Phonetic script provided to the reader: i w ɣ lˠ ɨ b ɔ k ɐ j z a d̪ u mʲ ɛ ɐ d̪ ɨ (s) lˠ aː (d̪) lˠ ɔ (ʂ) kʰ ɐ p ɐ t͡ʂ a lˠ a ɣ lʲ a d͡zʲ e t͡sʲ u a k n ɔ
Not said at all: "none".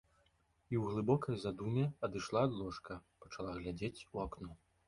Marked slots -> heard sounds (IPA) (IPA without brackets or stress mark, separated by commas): ʂ, d̪, ʂ